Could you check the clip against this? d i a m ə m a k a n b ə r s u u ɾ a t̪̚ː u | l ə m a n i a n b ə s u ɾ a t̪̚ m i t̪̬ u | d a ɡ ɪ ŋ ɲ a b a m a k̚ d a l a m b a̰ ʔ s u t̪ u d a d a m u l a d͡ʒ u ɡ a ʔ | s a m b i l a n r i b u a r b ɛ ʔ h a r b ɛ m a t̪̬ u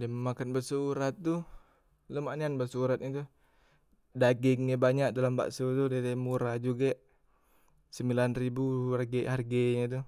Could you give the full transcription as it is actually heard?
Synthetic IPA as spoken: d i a m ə m a k a n b ə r s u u ɾ a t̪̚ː u | l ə m a n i a n b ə s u ɾ a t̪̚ ɲ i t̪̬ u | d a ɡ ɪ ŋ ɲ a b a ɲ a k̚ d a l a m b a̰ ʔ s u t̪ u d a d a m u ɾ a d͡ʒ u ɡ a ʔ | s ə m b i l a n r i b u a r ɡ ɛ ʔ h a r ɡ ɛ ɲ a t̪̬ u

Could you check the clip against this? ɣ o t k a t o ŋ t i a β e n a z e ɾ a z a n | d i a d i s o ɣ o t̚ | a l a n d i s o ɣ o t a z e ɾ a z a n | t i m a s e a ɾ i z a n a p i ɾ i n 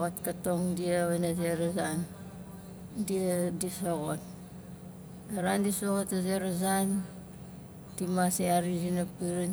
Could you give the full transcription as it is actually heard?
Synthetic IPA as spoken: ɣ o t k a t o ŋ d i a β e n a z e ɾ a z a n | d i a d i s o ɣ o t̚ | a ɾ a n d i s o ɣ o t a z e ɾ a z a n | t i m a s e a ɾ i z i n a p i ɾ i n

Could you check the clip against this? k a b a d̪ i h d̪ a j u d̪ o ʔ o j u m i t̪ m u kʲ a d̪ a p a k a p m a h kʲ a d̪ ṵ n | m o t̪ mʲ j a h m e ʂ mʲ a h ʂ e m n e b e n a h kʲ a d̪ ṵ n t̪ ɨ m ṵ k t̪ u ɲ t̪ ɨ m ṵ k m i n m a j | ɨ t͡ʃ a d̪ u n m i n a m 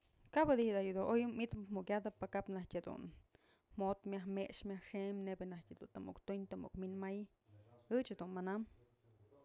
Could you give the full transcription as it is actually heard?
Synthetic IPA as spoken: k a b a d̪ i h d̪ a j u d̪ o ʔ o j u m i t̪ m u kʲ a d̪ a p a k a p n a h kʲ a d̪ ṵ n | m o t̪ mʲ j a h m e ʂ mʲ a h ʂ e m n e b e n a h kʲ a d̪ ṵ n t̪ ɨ m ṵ k t̪ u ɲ t̪ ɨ m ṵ k m i n m a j | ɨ t͡ʃ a d̪ u n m a n a m

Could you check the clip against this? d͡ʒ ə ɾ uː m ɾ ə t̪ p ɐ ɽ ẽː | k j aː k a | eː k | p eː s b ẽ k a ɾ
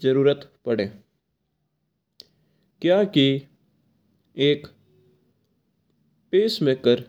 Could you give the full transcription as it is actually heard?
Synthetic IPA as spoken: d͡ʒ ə ɾ uː ɾ ə t̪ p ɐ ɽ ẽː | k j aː k i | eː k | p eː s m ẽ k ə ɾ

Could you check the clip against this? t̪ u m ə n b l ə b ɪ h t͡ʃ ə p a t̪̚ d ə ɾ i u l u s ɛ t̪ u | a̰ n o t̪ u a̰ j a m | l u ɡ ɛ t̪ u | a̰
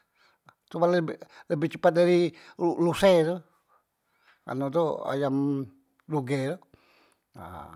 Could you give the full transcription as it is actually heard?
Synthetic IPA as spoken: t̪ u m a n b l ə b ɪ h t͡ʃ ə p a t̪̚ d a ɾ i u l u s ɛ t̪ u | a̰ n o t̪ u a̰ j a m | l u ɡ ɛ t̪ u | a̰

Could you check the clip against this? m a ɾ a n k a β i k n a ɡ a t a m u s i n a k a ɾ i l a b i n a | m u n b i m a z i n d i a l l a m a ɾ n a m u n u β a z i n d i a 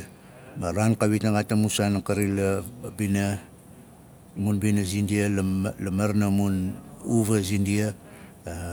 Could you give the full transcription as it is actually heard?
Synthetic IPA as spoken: m a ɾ a n k a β i t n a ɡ a t a m u s a n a k a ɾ i l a b i n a | m u n b i n a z i n d i a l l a m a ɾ n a m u n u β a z i n d i a

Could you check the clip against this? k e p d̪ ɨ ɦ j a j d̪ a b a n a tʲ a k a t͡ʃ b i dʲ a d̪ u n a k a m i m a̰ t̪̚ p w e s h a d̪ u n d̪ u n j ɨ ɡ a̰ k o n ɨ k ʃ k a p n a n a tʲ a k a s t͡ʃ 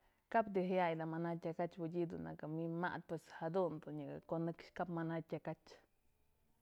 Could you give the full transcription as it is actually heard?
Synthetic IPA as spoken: k a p d̪ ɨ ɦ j a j d̪ a m a n a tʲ a k a t͡ʃ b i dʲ i d̪ u n a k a m i m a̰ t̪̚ p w e s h a d̪ u n d̪ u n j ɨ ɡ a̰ k o n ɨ k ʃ k a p m a n a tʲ a k a t͡ʃ

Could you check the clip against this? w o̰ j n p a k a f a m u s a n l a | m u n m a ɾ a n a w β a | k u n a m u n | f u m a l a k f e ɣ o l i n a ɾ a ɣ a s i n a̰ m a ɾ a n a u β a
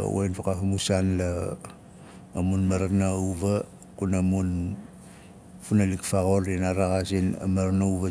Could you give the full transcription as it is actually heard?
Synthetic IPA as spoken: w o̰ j n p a k a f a m u s a n l a | m u n m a ɾ a n a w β a | k u n a m u n | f u n a l i k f a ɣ o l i n a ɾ a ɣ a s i n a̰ m a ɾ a n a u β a

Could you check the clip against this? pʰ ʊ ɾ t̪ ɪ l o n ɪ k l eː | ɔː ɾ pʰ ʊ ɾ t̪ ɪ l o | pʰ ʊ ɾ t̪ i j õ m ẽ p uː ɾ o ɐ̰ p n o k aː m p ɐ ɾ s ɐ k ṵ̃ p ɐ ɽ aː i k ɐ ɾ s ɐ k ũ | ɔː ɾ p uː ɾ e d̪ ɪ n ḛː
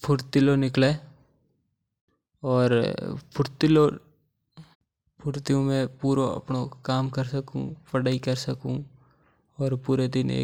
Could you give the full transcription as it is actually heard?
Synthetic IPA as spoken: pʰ ʊ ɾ t̪ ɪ l o n ɪ k l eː | ɔː ɾ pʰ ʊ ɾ t̪ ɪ l o | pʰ ʊ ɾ t̪ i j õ m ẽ p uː ɾ o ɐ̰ p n o k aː m k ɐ ɾ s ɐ k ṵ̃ p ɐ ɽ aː i k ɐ ɾ s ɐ k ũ | ɔː ɾ p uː ɾ e d̪ ɪ n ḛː

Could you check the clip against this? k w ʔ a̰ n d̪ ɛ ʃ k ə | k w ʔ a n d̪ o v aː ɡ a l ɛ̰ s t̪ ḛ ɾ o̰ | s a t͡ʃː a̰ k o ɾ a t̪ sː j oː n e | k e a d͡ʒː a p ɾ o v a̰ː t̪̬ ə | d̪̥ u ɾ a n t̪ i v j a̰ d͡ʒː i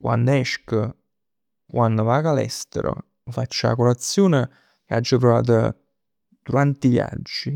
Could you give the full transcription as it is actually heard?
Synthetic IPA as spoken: k w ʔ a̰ n d̪ ɛ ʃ k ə | k w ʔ a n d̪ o v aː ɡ a l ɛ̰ s t̪ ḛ ɾ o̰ | f a t͡ʃː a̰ k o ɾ a t̪ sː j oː n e | k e a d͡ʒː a p ɾ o v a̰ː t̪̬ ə | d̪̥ u ɾ a n t̪ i v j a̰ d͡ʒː i

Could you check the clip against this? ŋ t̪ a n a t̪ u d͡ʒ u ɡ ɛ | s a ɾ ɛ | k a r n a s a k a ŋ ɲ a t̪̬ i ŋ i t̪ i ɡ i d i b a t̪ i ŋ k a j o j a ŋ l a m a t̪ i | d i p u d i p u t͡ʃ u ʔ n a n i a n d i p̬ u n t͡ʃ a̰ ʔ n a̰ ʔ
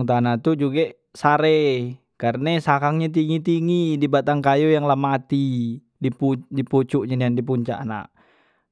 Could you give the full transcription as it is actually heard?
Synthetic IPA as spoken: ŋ t̪ a n a t̪ u d͡ʒ u ɡ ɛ | s a ɾ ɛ | k a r n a s a k a ŋ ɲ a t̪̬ i ŋ i t̪ i ŋ i d i b a t̪ a ŋ k a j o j a ŋ l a m a t̪ i | d i p u d i p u t͡ʃ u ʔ ɲ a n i a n d i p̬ u ɲ t͡ʃ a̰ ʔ n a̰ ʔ

